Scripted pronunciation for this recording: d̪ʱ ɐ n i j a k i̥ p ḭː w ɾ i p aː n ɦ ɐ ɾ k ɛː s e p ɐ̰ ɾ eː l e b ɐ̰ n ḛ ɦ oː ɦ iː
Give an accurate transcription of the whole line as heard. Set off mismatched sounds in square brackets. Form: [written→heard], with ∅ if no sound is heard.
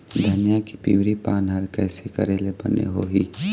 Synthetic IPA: d̪ʱ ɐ n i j a k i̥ p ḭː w ɾ i p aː n ɦ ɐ ɾ k ɛː s e [p→k] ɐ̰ ɾ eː l e b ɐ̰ n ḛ ɦ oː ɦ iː